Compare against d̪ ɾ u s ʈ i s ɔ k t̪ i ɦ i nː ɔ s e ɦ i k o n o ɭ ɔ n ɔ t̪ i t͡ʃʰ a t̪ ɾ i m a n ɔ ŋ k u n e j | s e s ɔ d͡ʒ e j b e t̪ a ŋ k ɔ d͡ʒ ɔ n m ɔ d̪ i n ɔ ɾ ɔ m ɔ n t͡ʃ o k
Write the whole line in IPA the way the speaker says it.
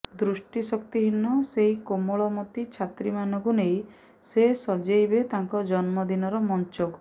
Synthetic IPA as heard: d̪ ɾ u s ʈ i s ɔ k t̪ i ɦ i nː ɔ s e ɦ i k o m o ɭ ɔ m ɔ t̪ i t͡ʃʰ a t̪ ɾ i m a n ɔ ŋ k u n e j | s e s ɔ d͡ʒ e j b e t̪ a ŋ k ɔ d͡ʒ ɔ n m ɔ d̪ i n ɔ ɾ ɔ m ɔ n t͡ʃ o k